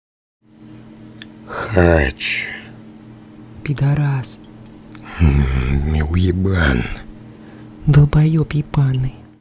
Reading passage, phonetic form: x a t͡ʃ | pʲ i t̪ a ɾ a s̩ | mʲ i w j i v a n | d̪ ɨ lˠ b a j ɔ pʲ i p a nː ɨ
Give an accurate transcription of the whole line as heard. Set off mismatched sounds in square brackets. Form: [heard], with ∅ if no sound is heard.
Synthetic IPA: x a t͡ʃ | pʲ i [d̪] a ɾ a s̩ | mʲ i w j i [b] a n | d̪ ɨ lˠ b a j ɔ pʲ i p a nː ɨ